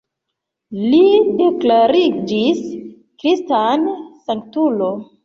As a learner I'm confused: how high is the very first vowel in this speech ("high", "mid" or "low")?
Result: high